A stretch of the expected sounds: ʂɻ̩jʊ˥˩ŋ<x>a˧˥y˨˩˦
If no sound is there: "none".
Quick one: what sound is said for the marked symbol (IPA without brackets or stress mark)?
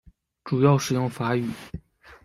f